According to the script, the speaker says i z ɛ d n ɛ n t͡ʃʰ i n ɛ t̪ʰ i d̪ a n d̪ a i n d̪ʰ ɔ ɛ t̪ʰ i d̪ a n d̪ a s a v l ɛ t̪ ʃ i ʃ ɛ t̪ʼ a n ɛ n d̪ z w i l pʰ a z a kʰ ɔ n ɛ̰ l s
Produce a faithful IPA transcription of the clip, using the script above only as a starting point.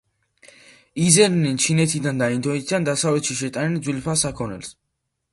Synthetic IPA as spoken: i z ɛ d n ɛ n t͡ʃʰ i n ɛ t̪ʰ i d̪ a n d̪ a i n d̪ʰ ɔ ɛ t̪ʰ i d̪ a n d̪ a s a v l ɛ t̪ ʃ i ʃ ɛ t̪ʼ a n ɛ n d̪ z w i l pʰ a s a kʰ ɔ n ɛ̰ l s